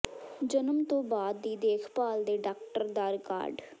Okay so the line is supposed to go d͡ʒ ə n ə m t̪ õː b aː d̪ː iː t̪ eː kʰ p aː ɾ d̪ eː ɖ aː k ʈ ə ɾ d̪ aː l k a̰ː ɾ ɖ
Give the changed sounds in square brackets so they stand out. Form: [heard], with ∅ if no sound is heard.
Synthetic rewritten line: d͡ʒ ə n ə m t̪ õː b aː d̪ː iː [d̪] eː kʰ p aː [l] d̪ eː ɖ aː k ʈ ə ɾ d̪ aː [ɾ] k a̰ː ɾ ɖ